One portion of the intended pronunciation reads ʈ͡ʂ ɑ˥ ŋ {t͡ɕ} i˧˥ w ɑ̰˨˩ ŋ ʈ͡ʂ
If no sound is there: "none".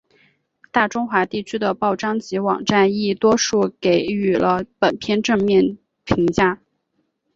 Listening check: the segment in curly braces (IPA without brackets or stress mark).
t͡ɕ